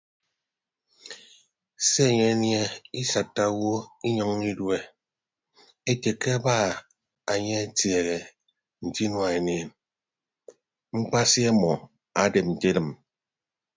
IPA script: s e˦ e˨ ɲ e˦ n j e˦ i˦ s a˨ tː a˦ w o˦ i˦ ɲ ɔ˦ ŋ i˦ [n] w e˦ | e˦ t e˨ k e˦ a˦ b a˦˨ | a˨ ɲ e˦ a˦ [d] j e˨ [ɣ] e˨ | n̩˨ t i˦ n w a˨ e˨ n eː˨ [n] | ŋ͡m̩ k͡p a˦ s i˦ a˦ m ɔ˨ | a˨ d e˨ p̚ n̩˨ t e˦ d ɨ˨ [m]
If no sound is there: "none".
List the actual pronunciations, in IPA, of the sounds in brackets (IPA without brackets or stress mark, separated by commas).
d, t, ɣ, n, m